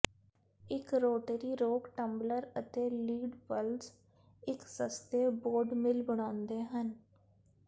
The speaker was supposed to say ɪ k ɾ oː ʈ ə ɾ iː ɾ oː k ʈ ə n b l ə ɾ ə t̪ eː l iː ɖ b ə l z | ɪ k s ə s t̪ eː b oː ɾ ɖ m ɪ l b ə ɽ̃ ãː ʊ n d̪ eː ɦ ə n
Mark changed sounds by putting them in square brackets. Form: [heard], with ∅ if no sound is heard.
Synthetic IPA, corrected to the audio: ɪ k ɾ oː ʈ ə ɾ iː ɾ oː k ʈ ə [m] b l ə ɾ ə t̪ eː l iː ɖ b ə l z | ɪ k s ə s t̪ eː b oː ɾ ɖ m ɪ l b ə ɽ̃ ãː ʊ n d̪ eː ɦ ə n